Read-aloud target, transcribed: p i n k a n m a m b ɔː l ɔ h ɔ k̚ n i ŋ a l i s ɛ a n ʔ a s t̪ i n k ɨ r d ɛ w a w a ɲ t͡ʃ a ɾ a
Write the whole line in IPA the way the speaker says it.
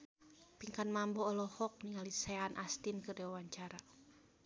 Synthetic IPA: p i ŋ k a n m a m b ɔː l ɔ h ɔ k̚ n i ŋ a l i s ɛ a n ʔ a s t̪ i n k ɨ r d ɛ w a w a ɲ t͡ʃ a ɾ a